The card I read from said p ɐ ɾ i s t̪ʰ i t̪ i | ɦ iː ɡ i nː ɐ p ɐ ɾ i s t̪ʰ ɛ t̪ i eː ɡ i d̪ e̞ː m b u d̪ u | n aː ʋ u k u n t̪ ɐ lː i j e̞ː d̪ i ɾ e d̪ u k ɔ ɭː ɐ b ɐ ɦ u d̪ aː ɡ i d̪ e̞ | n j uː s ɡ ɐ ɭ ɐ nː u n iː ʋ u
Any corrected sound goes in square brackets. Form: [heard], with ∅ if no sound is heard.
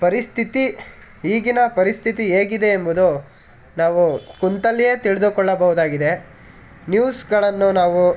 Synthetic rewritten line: p ɐ ɾ i s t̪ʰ i t̪ i | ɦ iː ɡ i [n] ɐ p ɐ ɾ i s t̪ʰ [i] t̪ i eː ɡ i d̪ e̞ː m b u d̪ u | n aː ʋ u k u n t̪ ɐ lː i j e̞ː [t̪] i [ɭ] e d̪ u k ɔ ɭː ɐ b ɐ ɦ u d̪ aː ɡ i d̪ e̞ | n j uː s ɡ ɐ ɭ ɐ nː u n [aː] ʋ u